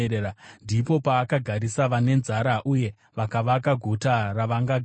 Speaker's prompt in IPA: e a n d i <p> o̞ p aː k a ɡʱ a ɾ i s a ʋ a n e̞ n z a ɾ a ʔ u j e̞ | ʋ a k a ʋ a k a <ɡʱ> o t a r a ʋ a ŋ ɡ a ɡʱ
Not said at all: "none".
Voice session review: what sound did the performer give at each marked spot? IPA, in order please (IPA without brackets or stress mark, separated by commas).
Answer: p, ɡʱ